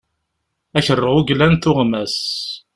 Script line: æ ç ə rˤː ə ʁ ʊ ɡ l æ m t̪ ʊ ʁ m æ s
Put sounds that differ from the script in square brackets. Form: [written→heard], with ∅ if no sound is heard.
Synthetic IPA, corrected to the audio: æ ç ə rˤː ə ʁ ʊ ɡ l æ [m→n] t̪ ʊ ʁ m æ s

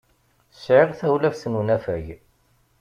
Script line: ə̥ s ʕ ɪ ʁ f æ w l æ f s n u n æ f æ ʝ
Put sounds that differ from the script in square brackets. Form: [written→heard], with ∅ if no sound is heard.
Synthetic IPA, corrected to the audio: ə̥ s ʕ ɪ ʁ [f→θ] æ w l æ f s n u n æ f æ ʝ

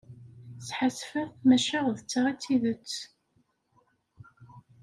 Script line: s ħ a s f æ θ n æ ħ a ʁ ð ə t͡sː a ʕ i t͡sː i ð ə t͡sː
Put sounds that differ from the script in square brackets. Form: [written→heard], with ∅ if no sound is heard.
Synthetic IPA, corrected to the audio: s ħ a s f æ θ [n→m] æ [ħ→ʃ] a ʁ ð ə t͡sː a [ʕ→ʁ] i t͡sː i ð ə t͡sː

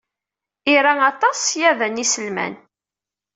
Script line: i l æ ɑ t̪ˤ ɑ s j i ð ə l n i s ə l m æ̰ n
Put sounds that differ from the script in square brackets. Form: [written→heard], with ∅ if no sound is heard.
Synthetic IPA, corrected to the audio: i [l→ɾ] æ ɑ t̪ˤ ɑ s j [i→æ] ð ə [l→∅] n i s ə l m æ̰ n

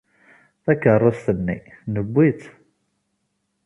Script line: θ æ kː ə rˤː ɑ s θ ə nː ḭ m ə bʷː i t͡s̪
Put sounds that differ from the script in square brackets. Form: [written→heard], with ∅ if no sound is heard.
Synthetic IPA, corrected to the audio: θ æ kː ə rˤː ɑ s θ ə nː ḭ [m→n] ə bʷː i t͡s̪

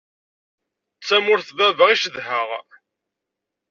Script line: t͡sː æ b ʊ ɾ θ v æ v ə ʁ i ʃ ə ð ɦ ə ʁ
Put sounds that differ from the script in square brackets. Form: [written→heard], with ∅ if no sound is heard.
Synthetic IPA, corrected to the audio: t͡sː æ [b→m] ʊ ɾ θ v æ v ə ʁ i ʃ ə ð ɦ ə ʁ

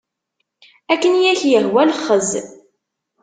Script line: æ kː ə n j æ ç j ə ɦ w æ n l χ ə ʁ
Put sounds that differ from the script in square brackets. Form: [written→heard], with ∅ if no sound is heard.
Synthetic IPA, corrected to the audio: æ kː ə n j æ ç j ə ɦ w æ [n→∅] l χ ə [ʁ→z]

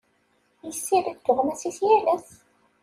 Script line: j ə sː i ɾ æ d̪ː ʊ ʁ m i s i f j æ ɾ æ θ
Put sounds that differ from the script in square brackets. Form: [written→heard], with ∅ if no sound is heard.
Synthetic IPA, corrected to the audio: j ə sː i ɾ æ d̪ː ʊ ʁ m [i→æ] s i [f→θ] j æ [ɾ→l] æ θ

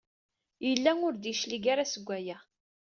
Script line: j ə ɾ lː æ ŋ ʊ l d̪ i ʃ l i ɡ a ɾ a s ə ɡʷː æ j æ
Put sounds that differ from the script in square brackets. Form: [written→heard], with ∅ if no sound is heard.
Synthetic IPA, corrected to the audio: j ə [ɾ→∅] lː æ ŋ ʊ [l→ɾ] d̪ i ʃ l i ɡ a ɾ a s ə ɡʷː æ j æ

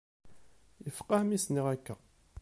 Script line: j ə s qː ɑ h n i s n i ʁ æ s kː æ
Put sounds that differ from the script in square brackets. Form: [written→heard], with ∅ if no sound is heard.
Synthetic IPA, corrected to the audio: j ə [s→f] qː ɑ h [n→m] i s n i ʁ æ [s→∅] kː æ

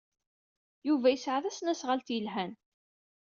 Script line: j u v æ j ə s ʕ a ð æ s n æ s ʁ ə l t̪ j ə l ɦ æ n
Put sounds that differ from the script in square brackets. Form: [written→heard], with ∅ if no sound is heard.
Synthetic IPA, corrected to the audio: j u v æ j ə s ʕ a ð æ s n æ s ʁ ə l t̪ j ə l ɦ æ n

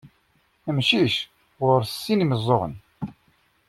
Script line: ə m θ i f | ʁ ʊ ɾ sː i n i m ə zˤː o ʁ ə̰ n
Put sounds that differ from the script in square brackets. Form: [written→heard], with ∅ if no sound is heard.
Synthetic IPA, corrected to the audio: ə m [θ→ʃ] i [f→ʃ] | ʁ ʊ ɾ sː i n i m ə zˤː o ʁ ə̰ n

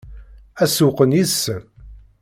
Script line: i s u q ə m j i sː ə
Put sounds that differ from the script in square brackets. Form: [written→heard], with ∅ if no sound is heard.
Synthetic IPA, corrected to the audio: [i→æ] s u q ə [m→n] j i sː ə

